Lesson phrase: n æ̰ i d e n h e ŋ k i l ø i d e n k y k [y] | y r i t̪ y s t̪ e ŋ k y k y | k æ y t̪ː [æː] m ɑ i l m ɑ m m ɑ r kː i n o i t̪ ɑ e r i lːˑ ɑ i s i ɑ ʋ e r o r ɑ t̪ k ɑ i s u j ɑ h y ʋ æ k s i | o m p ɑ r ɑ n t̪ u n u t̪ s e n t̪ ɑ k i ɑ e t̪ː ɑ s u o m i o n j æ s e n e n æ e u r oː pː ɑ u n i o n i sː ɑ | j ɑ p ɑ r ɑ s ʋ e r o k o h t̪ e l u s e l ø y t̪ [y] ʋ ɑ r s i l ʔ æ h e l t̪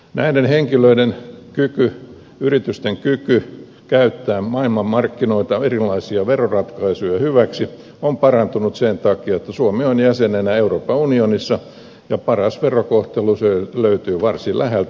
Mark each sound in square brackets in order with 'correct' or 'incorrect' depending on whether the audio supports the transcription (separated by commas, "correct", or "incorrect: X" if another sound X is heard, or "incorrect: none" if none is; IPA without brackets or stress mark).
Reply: correct, correct, incorrect: yː